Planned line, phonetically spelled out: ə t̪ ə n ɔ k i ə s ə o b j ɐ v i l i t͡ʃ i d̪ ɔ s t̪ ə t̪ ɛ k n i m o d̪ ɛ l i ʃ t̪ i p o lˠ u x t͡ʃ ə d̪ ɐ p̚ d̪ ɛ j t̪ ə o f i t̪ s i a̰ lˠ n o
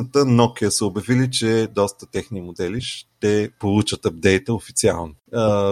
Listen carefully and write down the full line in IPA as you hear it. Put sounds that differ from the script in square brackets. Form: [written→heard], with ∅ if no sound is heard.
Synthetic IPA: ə t̪ ə n ɔ k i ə s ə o b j ɐ v i l i t͡ʃ [i→ɛ] d̪ ɔ s t̪ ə t̪ ɛ [k→x] n i m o d̪ ɛ l i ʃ t̪ [i→ɛ] p o lˠ u [x→∅] t͡ʃ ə [d̪→t̪] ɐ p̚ d̪ ɛ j t̪ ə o f i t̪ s i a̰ lˠ n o